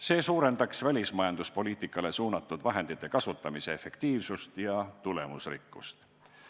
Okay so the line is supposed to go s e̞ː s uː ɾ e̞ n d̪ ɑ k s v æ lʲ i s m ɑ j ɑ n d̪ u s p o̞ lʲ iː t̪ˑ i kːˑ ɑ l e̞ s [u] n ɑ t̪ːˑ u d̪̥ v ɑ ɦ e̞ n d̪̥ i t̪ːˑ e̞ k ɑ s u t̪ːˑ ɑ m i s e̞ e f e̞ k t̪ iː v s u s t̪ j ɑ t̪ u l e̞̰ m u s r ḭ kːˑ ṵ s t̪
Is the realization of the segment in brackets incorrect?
yes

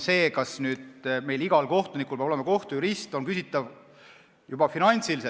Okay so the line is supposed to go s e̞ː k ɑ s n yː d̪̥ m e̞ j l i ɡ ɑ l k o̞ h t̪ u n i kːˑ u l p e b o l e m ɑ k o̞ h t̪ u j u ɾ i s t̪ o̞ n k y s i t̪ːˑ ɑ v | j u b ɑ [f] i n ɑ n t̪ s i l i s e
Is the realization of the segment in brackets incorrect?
no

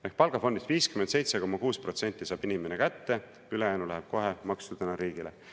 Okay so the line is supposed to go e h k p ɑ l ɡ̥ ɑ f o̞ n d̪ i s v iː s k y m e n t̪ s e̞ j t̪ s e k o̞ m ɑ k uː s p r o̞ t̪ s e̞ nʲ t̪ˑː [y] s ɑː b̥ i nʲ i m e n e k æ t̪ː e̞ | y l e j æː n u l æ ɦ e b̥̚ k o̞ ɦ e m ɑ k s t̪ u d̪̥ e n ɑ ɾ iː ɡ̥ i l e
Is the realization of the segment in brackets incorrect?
yes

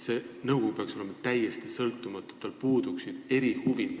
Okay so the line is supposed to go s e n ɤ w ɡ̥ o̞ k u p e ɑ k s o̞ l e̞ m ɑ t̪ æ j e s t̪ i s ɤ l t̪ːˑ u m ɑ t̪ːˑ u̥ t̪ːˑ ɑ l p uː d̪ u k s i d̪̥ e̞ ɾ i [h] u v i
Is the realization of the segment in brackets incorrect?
no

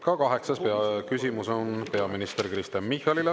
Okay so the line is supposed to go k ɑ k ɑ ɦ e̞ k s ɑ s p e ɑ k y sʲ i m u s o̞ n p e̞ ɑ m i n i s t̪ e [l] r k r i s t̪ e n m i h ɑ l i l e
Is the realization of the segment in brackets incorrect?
yes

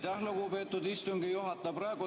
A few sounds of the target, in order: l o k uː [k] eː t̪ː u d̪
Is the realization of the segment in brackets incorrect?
yes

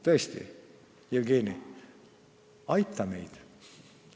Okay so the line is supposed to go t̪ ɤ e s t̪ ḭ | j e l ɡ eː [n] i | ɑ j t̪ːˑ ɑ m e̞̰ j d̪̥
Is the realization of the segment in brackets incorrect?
no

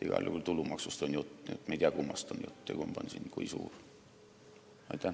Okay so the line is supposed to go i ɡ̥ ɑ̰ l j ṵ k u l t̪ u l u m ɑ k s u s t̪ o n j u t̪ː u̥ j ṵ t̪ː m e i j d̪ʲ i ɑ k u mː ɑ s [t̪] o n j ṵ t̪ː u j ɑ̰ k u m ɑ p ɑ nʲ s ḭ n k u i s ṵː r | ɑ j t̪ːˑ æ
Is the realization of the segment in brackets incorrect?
no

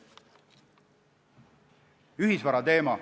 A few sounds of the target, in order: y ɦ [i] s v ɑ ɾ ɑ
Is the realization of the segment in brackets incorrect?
no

